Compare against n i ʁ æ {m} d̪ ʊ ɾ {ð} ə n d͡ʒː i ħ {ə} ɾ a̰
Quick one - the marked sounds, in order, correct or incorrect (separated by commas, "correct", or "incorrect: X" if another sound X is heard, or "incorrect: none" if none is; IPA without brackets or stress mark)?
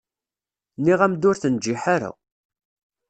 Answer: correct, incorrect: θ, incorrect: a